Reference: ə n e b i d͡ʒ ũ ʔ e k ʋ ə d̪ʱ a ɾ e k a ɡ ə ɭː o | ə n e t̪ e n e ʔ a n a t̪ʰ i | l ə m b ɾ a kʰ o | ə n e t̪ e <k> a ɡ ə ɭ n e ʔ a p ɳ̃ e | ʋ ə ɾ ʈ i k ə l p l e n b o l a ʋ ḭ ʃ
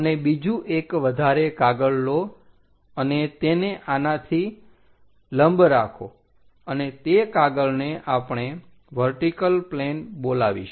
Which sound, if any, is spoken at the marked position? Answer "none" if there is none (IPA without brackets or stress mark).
k